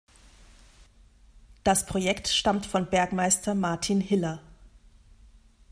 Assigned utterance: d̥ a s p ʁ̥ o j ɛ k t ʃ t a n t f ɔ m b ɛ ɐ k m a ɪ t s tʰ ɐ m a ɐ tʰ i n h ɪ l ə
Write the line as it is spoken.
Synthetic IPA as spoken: d̥ a s p ʁ̥ o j ɛ k t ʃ t a m t f ɔ n b ɛ ɐ k m a ɪ s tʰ ɐ m a ɐ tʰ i n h ɪ l ɐ